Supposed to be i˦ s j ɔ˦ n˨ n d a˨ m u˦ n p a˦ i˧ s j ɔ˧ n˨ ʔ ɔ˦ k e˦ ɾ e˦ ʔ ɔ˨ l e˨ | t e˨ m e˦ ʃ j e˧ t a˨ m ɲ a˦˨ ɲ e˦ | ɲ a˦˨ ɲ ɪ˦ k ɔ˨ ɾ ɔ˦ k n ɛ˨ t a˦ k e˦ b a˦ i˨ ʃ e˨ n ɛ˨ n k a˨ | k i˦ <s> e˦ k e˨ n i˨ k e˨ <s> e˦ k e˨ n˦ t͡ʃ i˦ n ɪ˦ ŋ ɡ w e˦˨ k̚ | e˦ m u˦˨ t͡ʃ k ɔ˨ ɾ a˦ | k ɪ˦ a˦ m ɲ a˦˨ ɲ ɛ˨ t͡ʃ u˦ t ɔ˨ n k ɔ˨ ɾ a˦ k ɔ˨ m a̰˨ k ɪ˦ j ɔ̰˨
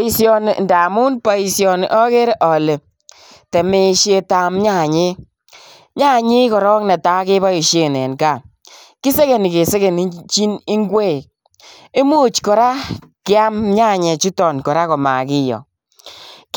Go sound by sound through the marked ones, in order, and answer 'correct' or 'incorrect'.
correct, correct

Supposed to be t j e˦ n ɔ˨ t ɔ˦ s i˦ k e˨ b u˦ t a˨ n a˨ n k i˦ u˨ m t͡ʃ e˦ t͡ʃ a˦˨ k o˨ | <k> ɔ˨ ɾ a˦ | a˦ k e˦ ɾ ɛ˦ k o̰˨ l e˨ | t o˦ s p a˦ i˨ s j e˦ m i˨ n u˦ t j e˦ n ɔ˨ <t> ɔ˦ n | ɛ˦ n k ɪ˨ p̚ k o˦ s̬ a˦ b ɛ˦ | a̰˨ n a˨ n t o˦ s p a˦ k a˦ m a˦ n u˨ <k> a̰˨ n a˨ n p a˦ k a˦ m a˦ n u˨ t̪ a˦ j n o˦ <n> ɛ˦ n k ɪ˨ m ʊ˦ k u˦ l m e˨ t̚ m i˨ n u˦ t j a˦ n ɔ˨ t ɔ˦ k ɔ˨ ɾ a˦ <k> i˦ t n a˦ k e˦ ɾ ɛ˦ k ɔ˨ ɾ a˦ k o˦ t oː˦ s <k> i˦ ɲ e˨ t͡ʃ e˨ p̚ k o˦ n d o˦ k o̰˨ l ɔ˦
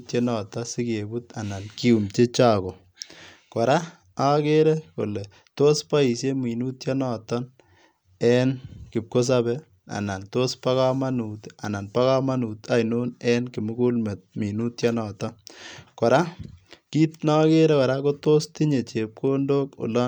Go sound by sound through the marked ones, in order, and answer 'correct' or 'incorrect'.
correct, correct, incorrect: t, correct, correct, incorrect: t

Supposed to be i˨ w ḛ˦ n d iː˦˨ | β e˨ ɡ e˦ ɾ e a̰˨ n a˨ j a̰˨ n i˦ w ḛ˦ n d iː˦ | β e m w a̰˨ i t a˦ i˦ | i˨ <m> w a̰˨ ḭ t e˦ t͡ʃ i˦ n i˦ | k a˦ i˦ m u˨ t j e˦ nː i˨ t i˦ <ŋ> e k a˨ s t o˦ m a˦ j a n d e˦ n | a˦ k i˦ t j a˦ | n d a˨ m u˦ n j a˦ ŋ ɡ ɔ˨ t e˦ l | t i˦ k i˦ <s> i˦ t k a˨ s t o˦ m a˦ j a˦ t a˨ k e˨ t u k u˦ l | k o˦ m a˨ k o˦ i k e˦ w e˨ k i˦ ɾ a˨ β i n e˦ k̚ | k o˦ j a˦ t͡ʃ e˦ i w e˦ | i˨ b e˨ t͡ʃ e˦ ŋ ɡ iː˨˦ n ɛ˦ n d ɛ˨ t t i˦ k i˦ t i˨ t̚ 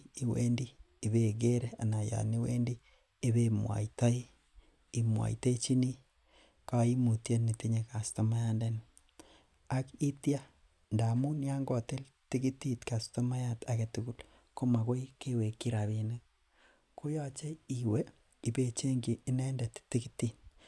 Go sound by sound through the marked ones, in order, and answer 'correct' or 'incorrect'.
correct, incorrect: ɲ, incorrect: t

